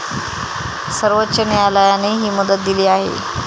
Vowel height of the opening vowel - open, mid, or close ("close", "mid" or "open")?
mid